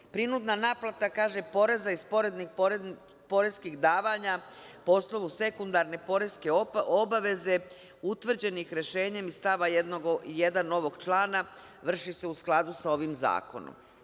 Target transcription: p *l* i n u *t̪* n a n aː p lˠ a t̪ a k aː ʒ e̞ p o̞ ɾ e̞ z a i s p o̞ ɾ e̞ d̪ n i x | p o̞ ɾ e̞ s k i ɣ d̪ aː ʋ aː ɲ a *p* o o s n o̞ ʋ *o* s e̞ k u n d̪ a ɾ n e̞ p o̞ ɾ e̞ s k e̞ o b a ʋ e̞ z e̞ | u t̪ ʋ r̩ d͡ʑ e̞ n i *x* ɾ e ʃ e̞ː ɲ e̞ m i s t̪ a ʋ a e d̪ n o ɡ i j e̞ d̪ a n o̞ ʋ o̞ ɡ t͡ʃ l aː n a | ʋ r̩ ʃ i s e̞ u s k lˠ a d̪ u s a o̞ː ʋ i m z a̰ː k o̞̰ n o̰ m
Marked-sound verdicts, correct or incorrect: incorrect: ɾ, incorrect: d̪, correct, incorrect: u, correct

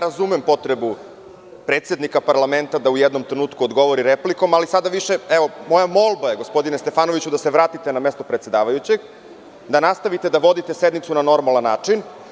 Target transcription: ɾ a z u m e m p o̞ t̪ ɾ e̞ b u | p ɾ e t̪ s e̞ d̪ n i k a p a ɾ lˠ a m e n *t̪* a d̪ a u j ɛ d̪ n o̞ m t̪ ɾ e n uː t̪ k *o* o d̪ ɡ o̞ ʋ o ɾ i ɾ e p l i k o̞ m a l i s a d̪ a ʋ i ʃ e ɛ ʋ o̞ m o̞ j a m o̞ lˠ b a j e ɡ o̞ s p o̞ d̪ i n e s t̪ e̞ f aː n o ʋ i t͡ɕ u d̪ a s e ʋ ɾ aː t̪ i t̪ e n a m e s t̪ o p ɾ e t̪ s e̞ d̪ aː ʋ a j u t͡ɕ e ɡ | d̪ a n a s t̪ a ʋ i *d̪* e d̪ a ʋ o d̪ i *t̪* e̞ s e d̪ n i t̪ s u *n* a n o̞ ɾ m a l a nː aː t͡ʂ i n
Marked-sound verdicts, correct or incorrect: correct, incorrect: u, incorrect: t̪, correct, correct

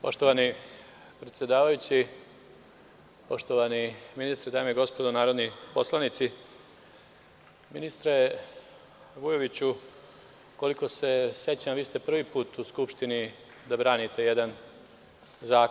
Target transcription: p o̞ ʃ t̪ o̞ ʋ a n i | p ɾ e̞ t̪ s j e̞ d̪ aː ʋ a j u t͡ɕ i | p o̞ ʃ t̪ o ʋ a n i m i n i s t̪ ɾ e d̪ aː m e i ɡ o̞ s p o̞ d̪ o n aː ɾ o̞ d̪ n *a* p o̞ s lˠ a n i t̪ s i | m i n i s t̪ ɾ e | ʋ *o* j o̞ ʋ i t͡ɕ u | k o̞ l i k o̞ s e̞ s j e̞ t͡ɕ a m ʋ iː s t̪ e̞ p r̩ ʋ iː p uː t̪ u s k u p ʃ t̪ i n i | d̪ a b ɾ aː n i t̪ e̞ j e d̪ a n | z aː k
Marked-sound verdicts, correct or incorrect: incorrect: i, incorrect: u

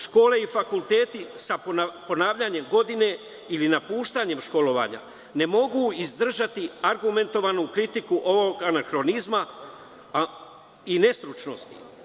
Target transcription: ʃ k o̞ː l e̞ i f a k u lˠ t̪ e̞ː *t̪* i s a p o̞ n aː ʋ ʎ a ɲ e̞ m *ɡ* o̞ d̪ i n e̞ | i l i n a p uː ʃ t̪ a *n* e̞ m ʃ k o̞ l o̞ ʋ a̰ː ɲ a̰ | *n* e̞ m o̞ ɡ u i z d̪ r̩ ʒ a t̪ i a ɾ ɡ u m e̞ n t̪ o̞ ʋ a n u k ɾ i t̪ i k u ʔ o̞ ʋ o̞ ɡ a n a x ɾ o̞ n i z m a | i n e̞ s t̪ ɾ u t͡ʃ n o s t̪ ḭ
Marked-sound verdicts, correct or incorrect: correct, correct, incorrect: ɲ, correct

